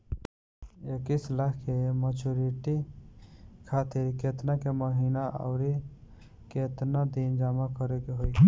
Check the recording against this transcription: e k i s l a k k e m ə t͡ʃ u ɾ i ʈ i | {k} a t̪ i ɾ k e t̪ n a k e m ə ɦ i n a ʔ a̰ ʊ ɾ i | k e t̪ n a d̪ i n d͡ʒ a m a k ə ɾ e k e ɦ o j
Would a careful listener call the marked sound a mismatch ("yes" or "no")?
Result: yes